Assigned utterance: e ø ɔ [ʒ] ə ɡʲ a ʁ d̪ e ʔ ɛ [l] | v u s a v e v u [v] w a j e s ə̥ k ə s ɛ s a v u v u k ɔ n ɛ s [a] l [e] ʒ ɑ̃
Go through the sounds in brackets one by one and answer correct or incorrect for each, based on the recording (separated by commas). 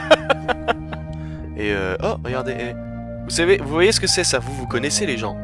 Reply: incorrect, incorrect, correct, incorrect, correct